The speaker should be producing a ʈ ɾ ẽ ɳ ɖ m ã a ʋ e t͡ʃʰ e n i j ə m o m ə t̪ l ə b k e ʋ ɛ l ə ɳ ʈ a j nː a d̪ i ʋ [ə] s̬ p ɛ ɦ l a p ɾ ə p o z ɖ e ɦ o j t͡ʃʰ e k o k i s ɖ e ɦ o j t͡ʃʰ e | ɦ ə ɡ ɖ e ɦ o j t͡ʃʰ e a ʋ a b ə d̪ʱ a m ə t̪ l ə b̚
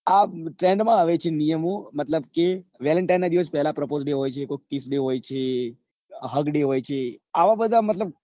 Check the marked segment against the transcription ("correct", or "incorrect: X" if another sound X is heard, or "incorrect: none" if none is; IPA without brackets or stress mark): correct